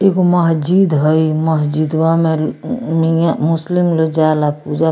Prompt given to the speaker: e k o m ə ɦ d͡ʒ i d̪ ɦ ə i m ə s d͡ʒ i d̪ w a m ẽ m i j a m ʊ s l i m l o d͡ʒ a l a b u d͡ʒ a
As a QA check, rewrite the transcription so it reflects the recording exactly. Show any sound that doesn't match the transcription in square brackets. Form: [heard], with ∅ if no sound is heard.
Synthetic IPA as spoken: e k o m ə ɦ d͡ʒ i d̪ ɦ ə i m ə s d͡ʒ i d̪ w a m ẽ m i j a m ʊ s l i m l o d͡ʒ a l a [p] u d͡ʒ a